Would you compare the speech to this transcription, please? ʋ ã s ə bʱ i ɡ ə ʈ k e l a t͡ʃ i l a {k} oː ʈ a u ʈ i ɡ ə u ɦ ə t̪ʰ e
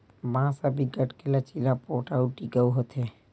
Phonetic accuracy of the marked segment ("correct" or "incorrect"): incorrect